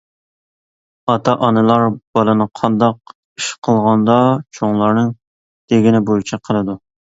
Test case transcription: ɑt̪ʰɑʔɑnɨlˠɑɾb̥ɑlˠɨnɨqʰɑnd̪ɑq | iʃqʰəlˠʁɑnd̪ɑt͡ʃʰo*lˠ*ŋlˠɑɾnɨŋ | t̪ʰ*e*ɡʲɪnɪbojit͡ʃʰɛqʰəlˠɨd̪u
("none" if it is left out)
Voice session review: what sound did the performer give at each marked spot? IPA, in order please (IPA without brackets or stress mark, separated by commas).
none, e